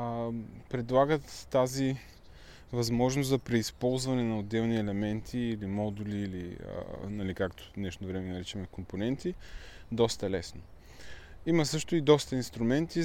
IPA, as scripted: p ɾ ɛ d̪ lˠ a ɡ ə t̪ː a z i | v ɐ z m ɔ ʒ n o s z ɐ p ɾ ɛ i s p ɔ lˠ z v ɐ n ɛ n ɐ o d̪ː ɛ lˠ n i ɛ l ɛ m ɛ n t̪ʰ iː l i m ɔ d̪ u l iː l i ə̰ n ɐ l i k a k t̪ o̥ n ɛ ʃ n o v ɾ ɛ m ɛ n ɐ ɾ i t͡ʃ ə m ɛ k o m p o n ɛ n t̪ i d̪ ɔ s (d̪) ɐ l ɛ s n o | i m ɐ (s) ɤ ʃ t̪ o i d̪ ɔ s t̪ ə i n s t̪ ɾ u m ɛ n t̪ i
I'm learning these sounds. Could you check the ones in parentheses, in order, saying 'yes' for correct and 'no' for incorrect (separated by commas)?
no, yes